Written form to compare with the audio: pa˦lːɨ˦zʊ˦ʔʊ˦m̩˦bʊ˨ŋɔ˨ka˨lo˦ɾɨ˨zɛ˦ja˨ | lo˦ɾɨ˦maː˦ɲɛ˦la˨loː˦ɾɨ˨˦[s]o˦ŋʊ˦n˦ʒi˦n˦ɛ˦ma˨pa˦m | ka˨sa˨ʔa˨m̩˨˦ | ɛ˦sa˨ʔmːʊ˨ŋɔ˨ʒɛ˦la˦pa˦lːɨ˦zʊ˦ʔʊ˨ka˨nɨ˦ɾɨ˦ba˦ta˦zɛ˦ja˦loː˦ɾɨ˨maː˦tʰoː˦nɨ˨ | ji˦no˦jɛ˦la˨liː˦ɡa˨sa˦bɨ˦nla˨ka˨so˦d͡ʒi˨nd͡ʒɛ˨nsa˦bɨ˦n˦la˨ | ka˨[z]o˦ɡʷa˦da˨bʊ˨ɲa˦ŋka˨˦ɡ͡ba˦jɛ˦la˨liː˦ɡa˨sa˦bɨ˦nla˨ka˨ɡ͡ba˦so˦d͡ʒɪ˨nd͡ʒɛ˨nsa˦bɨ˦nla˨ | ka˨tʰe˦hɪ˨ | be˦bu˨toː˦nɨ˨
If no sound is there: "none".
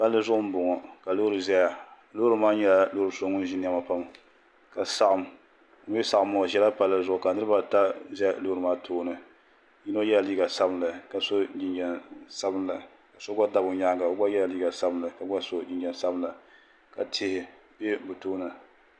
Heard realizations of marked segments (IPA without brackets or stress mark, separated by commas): s, s